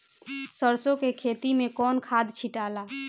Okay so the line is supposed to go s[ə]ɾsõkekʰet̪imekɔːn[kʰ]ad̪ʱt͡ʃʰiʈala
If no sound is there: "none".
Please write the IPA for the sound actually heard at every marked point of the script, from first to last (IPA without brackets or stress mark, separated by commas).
ə, kʰ